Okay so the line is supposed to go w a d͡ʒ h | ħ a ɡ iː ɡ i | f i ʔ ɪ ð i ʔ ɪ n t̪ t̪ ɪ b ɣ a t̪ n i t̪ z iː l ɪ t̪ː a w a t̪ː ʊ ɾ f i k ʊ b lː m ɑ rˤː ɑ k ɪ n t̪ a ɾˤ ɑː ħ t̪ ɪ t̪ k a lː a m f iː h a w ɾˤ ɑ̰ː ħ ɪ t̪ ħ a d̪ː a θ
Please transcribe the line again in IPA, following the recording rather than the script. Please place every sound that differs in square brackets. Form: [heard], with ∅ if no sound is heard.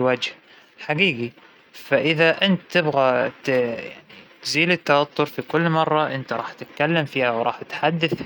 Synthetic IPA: w a d͡ʒ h | ħ a ɡ iː ɡ i | f [a] ʔ ɪ ð [a] ʔ ɪ n t̪ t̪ ɪ b ɣ a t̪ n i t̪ z iː l ɪ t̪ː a w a t̪ː ʊ ɾ f i k ʊ [∅] lː m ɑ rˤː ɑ [ʔ] ɪ n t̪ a ɾˤ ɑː ħ t̪ ɪ t̪ k a lː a m f iː h a w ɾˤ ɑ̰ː ħ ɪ t̪ ħ a d̪ː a θ